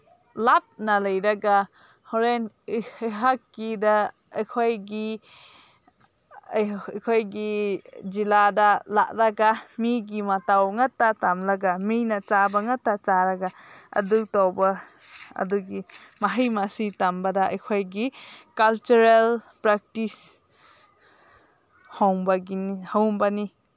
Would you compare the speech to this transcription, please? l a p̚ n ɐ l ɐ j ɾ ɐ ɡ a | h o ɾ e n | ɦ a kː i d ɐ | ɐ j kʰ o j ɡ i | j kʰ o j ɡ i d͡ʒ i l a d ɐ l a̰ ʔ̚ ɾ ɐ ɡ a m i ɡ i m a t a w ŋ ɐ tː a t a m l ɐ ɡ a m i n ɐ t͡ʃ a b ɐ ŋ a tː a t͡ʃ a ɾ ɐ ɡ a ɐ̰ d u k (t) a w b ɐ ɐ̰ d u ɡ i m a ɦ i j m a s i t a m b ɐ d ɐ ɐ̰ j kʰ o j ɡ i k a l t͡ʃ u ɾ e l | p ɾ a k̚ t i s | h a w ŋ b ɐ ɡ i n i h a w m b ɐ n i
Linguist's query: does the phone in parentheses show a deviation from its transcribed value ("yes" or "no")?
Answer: no